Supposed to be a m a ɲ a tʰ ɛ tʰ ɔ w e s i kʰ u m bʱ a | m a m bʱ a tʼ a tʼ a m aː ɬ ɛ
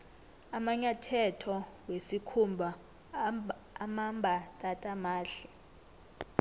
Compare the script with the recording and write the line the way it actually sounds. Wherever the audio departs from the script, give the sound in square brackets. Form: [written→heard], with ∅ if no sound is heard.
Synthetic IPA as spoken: a m a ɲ a tʰ ɛ tʰ ɔ w e s i kʰ u m bʱ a | m a m bʱ a tʼ a tʼ a m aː ɬ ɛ